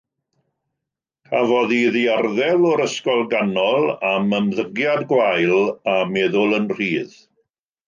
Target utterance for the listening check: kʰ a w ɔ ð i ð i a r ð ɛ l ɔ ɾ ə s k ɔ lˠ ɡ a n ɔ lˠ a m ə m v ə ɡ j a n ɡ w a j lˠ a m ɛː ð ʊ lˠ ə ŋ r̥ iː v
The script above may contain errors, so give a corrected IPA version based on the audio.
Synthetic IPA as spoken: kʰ a v ɔ ð i ð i a r ð ɛ l ɔ ɾ ə s k ɔ lˠ ɡ a n ɔ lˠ a m ə m ð ə ɡ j a d ɡ w a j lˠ a m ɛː ð ʊ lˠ ə n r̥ iː ð